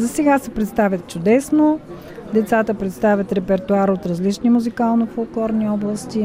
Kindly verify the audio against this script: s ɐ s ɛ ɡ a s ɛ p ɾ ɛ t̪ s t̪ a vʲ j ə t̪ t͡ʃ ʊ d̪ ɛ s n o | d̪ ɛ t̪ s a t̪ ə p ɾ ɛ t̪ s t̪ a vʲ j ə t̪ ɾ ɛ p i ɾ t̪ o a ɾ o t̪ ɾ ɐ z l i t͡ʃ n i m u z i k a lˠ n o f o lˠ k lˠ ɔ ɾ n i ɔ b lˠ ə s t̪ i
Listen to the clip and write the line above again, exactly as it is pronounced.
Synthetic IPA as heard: z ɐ s ɛ ɡ a s ɛ p ɾ ɛ t̪ s t̪ a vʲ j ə t̪ t͡ʃ ʊ d̪ ɛ s n o | d̪ ɛ t̪ s a t̪ ə p ɾ ɛ t̪ s t̪ a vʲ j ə t̪ ɾ ɛ p ɛ ɾ t̪ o a ɾ o t̪ ɾ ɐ z l i t͡ʃ n i m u z i k a lˠ n o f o lˠ k lˠ ɔ ɾ n i ɔ b lˠ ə s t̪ i